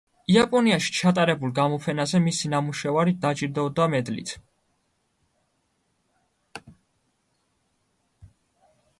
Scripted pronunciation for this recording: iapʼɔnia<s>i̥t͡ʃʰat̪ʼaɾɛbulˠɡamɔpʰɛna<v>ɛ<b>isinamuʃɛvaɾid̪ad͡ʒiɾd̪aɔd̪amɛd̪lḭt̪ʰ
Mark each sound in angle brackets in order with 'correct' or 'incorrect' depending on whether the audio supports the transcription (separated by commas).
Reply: incorrect, incorrect, incorrect